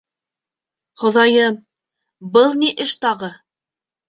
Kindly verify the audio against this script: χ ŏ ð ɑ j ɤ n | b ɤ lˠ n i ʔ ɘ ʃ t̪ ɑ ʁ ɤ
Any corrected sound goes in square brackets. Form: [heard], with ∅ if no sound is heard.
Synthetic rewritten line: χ ŏ ð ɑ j ɤ [m] | b ɤ lˠ n i ʔ ɘ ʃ t̪ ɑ ʁ ɤ